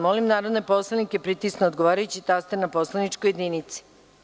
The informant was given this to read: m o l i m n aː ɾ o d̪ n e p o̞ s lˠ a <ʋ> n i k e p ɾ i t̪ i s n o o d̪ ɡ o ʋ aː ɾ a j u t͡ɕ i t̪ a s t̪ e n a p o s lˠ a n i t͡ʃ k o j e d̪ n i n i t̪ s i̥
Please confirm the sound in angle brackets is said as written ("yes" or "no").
no